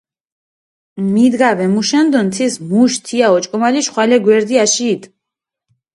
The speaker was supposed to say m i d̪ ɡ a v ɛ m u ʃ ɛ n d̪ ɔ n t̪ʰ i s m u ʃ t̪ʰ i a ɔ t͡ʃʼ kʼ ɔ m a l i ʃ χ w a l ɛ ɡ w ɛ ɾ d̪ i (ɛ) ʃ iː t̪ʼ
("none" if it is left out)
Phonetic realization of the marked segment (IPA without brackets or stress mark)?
a